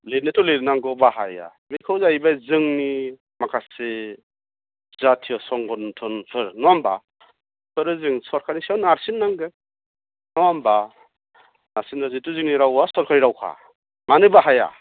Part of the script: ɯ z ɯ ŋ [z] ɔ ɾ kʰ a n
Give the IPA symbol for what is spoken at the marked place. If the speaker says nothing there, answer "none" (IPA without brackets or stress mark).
s